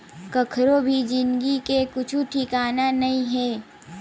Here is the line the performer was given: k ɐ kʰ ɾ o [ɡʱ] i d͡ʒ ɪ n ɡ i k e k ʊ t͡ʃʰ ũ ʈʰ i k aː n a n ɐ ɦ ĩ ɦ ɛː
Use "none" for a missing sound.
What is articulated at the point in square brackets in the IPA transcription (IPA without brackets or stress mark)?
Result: bʱ